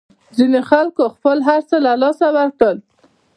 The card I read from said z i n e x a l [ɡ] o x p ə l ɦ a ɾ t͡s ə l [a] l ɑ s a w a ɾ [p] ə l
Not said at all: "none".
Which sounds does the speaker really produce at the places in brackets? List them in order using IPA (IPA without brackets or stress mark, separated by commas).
k, a, k